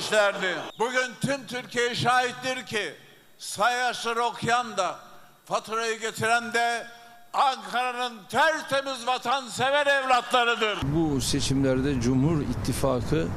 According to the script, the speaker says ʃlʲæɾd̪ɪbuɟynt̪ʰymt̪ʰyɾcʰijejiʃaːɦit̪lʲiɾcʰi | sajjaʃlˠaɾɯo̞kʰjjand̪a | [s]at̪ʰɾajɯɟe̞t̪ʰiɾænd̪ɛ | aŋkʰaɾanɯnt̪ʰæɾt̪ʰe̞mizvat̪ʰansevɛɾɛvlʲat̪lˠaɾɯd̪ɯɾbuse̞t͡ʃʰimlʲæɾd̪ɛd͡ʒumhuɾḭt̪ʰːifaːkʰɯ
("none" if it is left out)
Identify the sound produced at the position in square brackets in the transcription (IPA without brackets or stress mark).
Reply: f